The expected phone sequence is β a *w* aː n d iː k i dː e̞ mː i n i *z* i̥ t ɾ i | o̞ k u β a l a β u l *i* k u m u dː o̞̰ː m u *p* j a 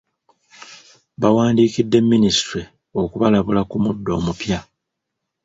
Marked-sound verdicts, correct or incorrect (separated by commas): correct, incorrect, incorrect, correct